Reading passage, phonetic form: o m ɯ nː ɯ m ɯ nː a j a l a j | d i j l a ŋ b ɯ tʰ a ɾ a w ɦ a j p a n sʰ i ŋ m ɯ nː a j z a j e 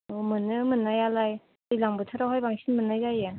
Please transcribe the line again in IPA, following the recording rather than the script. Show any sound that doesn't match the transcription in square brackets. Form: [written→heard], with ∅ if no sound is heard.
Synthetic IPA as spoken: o m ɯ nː ɯ m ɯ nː a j a l a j | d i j l a ŋ b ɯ tʰ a ɾ a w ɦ a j [p→b] a [n→ŋ] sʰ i [ŋ→n] m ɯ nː a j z a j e

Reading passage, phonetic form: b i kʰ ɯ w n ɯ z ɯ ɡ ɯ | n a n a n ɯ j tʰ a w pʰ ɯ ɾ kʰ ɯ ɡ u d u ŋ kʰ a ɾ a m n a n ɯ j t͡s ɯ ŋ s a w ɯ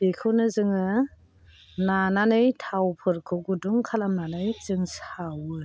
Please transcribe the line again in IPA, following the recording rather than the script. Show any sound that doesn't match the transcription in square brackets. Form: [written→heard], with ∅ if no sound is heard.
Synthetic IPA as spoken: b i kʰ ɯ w n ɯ z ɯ [ɡ→ŋ] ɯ | n a n a n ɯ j tʰ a w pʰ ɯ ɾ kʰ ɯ ɡ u d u ŋ kʰ a [ɾ→l] a m n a n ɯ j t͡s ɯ ŋ s a w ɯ

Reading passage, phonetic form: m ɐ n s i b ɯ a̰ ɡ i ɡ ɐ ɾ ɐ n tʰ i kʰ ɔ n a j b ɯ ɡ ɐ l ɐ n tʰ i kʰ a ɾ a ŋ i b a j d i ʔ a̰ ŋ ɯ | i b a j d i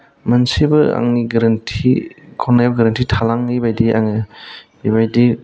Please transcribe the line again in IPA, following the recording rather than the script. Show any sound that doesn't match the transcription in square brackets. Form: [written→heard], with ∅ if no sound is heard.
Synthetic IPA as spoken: m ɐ n s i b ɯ a̰ [ɡ→ŋ] i ɡ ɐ ɾ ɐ n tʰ i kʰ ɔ n a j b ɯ ɡ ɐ [l→ɾ] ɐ n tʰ i [kʰ→tʰ] a [ɾ→l] a ŋ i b a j d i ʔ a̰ ŋ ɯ | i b a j d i

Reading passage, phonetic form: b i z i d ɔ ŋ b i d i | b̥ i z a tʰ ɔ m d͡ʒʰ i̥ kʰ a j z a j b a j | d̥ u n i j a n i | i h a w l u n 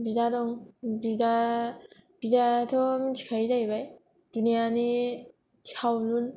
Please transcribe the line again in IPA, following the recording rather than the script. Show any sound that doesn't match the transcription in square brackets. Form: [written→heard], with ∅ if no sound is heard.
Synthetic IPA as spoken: b i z [i→a] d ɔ ŋ b i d [i→a] | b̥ i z a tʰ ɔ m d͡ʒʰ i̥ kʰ a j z a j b a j | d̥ u n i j a n i | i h a w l u n

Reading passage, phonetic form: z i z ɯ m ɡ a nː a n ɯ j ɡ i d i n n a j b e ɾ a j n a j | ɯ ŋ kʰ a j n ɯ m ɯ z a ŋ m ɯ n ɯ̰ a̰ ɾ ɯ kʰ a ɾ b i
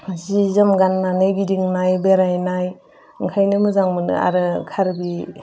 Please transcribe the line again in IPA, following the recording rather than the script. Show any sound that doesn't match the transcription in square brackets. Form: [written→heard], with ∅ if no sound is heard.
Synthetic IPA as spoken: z i z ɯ m ɡ a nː a n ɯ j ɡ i d i [n→ŋ] n a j b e ɾ a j n a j | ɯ ŋ kʰ a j n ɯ m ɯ z a ŋ m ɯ n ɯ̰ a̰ ɾ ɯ kʰ a ɾ b i

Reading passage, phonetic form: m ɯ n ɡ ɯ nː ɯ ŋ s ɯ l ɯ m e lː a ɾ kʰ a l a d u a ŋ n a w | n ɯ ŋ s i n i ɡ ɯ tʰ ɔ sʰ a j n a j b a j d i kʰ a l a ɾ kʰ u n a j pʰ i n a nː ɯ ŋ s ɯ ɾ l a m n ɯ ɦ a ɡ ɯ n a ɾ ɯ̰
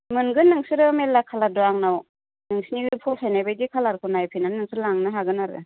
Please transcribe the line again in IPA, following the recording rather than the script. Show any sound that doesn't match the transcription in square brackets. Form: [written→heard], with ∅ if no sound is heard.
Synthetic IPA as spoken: m ɯ n ɡ ɯ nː ɯ ŋ s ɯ [l→ɾ] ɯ m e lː a [ɾ→∅] kʰ a l a d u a ŋ n a w | n ɯ ŋ s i n i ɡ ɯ [tʰ→pʰ] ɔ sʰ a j n a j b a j d i kʰ a l a ɾ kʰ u n a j pʰ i n a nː ɯ ŋ s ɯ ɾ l a [m→ŋ] n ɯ ɦ a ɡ ɯ n a ɾ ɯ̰

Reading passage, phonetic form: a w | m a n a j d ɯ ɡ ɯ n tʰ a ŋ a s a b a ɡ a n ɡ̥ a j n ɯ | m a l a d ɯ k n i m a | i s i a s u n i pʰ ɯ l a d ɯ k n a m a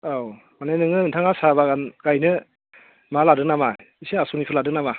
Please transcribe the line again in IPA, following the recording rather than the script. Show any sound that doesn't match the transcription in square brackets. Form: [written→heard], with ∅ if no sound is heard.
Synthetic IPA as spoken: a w | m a n a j [d→n] ɯ [ɡ→ŋ] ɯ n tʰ a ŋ a s a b a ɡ a n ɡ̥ a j n ɯ | m a l a d ɯ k n [i→a] m a | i s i a s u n i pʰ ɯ l a d ɯ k n a m a

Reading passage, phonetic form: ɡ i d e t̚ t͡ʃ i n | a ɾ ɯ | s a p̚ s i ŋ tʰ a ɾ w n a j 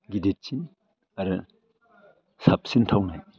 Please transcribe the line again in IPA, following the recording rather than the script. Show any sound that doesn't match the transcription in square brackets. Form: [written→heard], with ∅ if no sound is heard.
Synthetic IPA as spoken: ɡ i d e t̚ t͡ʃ i n | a ɾ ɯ | s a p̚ s i [ŋ→n] tʰ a [ɾ→∅] w n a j

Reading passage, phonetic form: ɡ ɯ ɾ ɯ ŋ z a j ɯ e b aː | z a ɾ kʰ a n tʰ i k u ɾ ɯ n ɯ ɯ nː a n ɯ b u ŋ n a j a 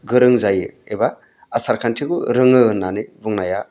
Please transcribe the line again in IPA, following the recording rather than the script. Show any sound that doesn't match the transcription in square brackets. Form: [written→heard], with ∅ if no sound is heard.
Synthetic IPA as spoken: ɡ ɯ ɾ ɯ ŋ z a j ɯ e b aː | [z→s] a ɾ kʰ a n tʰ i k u ɾ ɯ [n→ŋ] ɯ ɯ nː a n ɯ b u ŋ n a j a

